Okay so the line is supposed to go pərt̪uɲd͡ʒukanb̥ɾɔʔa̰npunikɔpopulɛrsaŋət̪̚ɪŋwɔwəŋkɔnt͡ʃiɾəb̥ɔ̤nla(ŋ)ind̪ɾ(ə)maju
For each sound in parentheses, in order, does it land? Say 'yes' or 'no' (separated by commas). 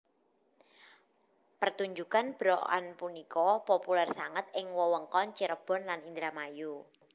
no, no